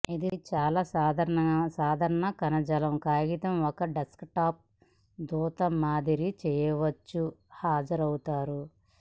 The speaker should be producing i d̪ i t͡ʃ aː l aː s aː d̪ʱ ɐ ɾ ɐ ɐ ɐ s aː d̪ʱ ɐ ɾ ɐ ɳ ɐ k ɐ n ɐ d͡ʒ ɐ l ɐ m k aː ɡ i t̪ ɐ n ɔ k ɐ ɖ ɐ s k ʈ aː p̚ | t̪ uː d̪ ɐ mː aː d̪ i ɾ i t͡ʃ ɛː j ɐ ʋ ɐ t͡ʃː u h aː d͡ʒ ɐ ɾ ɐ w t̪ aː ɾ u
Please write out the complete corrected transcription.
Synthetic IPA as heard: i d̪ i t͡ʃ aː l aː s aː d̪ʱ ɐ ɾ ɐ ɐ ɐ s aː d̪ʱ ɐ ɾ ɐ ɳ ɐ k ɐ n ɐ d͡ʒ ɐ l ɐ m k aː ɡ i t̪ ɐ m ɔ k ɐ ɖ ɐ s k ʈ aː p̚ | d̪ uː t̪ ɐ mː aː d̪ i ɾ i t͡ʃ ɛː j ɐ ʋ ɐ t͡ʃː u h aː d͡ʒ ɐ ɾ ɐ w t̪ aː ɾ u

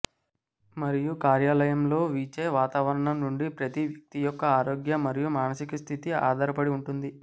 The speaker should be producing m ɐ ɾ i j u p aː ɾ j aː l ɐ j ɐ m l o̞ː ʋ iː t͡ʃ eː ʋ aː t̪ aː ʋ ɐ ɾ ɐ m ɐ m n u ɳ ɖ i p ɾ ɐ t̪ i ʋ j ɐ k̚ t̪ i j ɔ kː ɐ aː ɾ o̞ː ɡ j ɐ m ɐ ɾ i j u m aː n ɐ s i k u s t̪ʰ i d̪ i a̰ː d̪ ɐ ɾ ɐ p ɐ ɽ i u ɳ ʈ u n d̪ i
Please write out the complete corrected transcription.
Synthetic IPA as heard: m ɐ ɾ i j u k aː ɾ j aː l ɐ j ɐ m l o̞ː ʋ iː t͡ʃ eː ʋ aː t̪ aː ʋ ɐ ɾ ɐ ɳ ɐ m n u ɳ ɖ i p ɾ ɐ t̪ i ʋ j ɐ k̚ t̪ i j ɔ kː ɐ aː ɾ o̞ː ɡ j ɐ m ɐ ɾ i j u m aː n ɐ s i k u s t̪ʰ i t̪ i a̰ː d̪ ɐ ɾ ɐ p ɐ ɽ i u ɳ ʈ u n d̪ i

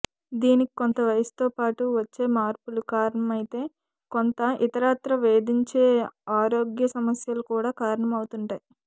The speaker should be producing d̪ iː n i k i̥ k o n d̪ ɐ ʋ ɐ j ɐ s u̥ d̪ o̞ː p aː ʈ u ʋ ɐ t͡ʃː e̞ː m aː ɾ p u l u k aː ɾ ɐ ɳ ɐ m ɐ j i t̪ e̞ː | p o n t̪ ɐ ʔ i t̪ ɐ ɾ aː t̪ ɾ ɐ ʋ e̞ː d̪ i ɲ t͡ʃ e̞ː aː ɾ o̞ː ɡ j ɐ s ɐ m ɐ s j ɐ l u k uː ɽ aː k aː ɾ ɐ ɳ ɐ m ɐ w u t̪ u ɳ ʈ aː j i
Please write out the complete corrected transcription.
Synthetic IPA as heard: d̪ iː n i k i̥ k o n t̪ ɐ ʋ ɐ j ɐ s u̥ t̪ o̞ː p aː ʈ u ʋ ɐ t͡ʃː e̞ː m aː ɾ p u l u k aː ɾ ɐ ɳ ɐ m ɐ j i t̪ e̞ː | k o n t̪ ɐ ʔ i t̪ ɐ ɾ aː t̪ ɾ ɐ ʋ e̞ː d̪ i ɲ t͡ʃ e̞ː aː ɾ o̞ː ɡ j ɐ s ɐ m ɐ s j ɐ l u k uː ɽ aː k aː ɾ ɐ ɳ ɐ m ɐ w u t̪ u ɳ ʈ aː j i

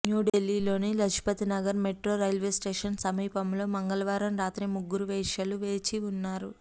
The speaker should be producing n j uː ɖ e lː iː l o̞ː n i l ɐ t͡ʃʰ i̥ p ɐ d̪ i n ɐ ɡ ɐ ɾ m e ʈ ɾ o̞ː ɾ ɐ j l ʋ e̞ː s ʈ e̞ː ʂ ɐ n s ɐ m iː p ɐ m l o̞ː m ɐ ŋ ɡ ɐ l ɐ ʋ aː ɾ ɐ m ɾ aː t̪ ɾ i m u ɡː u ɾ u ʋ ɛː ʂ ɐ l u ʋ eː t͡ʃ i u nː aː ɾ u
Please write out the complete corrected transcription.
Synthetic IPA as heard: n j uː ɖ e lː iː l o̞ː n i l ɐ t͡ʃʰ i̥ p ɐ t̪ i n ɐ ɡ ɐ ɾ m e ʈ ɾ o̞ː ɾ ɐ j l ʋ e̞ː s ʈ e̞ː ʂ ɐ n s ɐ m iː p ɐ m l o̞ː m ɐ ŋ ɡ ɐ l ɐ ʋ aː ɾ ɐ m ɾ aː t̪ ɾ i m u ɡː u ɾ u ʋ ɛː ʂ ɐ l u ʋ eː t͡ʃ i u nː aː ɾ u

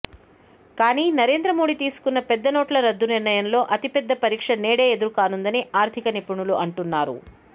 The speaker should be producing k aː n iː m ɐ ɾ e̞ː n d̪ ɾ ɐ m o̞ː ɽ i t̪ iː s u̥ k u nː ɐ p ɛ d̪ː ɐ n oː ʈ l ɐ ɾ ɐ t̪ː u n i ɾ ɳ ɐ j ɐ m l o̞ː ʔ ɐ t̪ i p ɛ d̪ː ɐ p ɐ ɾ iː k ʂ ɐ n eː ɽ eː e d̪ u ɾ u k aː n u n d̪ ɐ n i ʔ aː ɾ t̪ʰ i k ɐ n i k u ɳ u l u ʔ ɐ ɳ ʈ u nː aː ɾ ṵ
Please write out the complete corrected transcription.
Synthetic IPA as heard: k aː n iː n ɐ ɾ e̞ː n d̪ ɾ ɐ m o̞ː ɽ i t̪ iː s u̥ k u nː ɐ p ɛ d̪ː ɐ n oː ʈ l ɐ ɾ ɐ d̪ː u n i ɾ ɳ ɐ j ɐ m l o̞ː ʔ ɐ t̪ i p ɛ d̪ː ɐ p ɐ ɾ iː k ʂ ɐ n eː ɽ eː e d̪ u ɾ u k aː n u n d̪ ɐ n i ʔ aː ɾ t̪ʰ i k ɐ n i p u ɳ u l u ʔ ɐ ɳ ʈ u nː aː ɾ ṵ

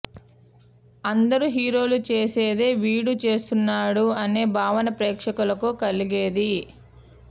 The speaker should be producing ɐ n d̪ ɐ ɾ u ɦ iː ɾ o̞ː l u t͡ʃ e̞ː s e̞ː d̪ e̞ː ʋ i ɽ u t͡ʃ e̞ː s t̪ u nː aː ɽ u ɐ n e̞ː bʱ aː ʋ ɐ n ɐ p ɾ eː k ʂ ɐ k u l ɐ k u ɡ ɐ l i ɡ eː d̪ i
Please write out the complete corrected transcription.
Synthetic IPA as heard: ɐ n d̪ ɐ ɾ u ɦ iː ɾ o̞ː l u t͡ʃ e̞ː s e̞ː d̪ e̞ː ʋ iː ɽ u t͡ʃ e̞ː s t̪ u nː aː ɽ u ɐ n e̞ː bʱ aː ʋ ɐ n ɐ p ɾ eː k ʂ ɐ k u l ɐ k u k ɐ l i ɡ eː d̪ i

